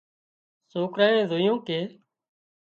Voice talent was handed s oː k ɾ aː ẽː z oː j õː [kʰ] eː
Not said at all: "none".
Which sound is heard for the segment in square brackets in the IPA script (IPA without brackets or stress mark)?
k